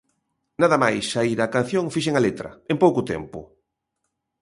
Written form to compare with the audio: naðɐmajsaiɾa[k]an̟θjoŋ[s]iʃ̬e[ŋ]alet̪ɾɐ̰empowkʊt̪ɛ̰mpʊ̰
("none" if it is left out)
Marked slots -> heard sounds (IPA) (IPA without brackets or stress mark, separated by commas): k, f, ŋ